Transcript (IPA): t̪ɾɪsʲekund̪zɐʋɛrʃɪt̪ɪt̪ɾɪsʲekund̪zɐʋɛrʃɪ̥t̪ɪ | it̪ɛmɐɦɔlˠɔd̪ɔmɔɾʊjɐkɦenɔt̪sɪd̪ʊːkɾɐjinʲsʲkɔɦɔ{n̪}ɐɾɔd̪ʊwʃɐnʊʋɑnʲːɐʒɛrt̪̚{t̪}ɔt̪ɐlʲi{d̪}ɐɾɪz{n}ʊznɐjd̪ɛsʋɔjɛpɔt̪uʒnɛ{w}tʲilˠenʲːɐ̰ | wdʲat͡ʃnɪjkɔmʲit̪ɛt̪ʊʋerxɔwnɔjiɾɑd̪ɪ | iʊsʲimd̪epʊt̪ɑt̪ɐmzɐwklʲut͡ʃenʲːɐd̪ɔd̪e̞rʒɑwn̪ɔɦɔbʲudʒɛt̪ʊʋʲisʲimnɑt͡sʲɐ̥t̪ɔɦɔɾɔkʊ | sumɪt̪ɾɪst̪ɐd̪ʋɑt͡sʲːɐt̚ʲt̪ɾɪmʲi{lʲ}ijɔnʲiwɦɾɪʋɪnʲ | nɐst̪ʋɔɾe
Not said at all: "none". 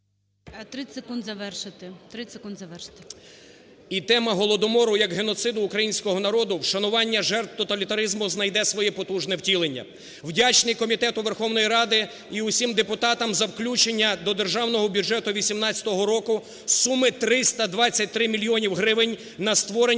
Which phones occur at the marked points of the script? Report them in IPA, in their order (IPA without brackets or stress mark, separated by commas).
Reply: n̪, t̪, t̪, m, w, lʲ